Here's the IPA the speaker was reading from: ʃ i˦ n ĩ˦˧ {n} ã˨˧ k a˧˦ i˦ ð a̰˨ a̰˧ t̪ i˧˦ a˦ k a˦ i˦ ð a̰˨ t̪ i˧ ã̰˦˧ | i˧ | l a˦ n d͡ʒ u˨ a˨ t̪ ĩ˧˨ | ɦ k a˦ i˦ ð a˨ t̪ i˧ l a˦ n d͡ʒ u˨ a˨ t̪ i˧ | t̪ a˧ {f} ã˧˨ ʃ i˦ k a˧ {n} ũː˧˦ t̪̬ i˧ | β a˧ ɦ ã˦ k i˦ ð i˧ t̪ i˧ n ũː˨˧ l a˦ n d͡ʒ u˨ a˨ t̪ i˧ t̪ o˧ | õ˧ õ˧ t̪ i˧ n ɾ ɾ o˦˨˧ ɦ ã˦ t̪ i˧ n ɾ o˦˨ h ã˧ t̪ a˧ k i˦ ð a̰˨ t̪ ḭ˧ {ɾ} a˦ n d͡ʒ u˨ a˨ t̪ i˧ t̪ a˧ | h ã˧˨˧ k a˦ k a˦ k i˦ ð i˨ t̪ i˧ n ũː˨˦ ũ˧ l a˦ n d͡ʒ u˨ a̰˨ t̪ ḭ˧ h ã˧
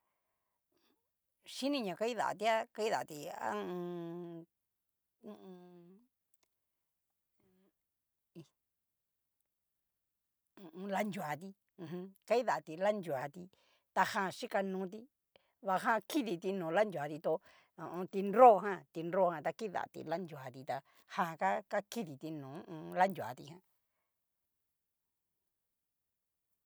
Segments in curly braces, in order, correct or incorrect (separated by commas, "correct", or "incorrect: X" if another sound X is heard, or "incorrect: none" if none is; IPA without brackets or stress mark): incorrect: ɲ, incorrect: h, correct, incorrect: l